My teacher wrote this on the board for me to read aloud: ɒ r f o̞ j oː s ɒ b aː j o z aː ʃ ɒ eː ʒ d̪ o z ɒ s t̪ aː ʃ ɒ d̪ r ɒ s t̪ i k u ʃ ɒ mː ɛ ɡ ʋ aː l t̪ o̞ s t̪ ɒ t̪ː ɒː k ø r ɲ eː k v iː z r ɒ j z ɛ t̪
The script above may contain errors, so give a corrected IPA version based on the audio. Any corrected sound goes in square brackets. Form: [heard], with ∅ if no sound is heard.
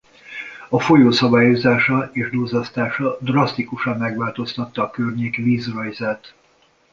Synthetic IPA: ɒ [∅] f o̞ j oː s ɒ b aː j o z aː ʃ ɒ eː ʒ d̪ o z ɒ s t̪ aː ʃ ɒ d̪ r ɒ s t̪ i k u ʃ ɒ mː ɛ ɡ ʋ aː l t̪ o̞ s t̪ ɒ t̪ː ɒː k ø r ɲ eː k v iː z r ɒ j z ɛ t̪